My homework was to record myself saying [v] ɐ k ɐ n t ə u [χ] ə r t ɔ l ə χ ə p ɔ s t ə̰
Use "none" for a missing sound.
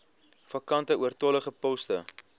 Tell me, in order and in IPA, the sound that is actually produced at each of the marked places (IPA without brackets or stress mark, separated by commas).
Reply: f, none